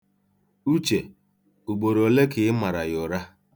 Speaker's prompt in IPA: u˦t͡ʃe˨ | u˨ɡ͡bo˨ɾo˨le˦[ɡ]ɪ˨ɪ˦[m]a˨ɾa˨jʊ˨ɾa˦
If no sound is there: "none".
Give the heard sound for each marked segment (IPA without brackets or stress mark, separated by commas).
k, m